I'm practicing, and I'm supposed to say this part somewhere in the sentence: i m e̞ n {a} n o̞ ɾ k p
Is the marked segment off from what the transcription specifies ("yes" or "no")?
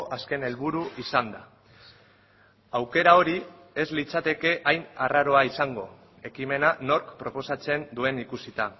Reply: no